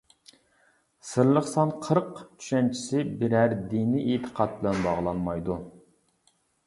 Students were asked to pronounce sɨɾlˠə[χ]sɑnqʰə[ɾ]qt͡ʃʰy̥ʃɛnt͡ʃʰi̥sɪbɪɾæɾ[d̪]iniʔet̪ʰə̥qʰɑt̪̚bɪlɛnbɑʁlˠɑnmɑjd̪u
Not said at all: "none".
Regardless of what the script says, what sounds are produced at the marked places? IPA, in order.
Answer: χ, ɾ, d̪

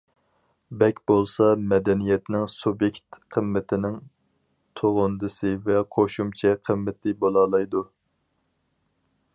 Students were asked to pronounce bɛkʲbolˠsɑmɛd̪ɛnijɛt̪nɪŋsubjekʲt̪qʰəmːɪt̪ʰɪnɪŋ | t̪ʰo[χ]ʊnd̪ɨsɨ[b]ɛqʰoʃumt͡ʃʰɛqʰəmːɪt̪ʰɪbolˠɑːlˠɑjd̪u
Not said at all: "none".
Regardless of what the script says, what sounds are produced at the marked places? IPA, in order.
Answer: ʁ, v

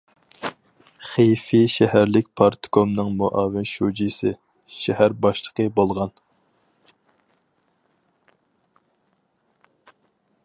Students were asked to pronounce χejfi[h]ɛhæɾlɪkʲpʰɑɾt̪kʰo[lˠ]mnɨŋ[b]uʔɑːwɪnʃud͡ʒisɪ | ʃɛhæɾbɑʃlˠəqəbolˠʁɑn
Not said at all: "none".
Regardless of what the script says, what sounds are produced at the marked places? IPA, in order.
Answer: ʃ, none, m

